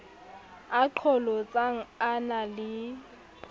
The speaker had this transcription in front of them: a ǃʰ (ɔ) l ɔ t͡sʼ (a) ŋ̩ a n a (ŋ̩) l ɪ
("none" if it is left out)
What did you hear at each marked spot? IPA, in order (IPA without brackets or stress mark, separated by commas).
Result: ɔ, a, none